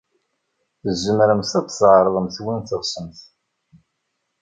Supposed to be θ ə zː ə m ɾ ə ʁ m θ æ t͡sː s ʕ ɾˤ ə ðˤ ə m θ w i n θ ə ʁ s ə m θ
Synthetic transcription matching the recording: θ ə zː ə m ɾ ə m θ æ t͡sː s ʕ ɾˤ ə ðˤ ə m θ w i n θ ə ʁ s ə m θ